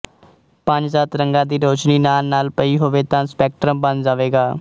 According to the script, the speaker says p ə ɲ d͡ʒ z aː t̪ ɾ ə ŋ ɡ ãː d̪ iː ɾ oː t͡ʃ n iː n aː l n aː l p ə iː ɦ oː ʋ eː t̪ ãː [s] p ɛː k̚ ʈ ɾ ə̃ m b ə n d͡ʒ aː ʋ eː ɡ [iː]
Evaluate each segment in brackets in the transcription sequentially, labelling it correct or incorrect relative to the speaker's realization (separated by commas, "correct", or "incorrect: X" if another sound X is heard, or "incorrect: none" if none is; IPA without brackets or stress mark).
correct, incorrect: aː